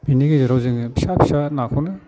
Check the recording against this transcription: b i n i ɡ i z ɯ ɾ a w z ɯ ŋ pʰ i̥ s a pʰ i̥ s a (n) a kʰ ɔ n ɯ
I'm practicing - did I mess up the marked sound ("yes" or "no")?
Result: no